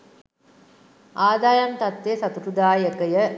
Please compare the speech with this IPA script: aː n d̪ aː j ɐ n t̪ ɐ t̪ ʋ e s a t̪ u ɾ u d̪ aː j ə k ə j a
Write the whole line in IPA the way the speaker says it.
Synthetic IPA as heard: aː d̪ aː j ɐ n t̪ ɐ t̪ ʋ e s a t̪ u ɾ u d̪ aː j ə k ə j ə